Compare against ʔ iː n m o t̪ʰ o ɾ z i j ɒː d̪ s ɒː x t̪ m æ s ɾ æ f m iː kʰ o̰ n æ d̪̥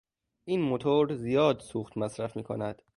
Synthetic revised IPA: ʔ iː n m o t̪ʰ o ɾ z i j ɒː d̪ s uː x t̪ m æ s ɾ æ f m iː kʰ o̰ n æ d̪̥